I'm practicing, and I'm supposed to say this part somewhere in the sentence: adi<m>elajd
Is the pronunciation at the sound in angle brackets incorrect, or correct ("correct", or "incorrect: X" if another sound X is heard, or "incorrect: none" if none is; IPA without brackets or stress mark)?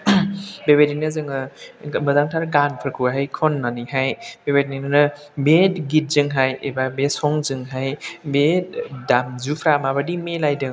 correct